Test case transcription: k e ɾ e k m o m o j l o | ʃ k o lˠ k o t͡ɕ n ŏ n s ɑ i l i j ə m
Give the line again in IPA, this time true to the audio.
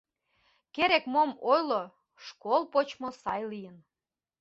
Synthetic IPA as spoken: k e ɾ e k m o m o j l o | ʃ k o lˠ p o t͡ɕ m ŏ s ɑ j l i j ə n